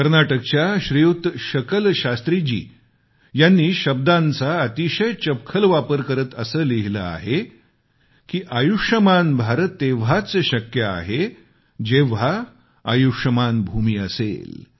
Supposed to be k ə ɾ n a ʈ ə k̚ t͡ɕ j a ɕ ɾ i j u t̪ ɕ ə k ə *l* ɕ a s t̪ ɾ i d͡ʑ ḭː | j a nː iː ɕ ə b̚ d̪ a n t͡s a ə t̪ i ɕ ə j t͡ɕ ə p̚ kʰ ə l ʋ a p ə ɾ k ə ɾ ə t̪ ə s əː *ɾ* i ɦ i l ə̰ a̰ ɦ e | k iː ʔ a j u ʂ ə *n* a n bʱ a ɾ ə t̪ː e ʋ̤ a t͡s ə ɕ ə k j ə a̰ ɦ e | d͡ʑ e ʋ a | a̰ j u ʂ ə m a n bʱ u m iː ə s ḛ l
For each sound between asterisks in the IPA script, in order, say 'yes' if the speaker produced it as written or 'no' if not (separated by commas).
yes, no, no